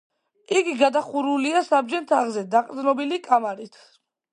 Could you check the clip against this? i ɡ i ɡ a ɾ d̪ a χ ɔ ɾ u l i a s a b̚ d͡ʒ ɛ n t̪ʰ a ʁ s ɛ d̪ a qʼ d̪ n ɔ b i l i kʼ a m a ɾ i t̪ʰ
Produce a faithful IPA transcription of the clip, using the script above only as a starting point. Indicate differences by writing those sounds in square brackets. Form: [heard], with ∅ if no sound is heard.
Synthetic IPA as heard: i ɡ i ɡ a [∅] d̪ a χ [u] ɾ u l i a s a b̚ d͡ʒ ɛ n t̪ʰ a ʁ [z] ɛ d̪ a qʼ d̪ n ɔ b i l i kʼ a m a ɾ i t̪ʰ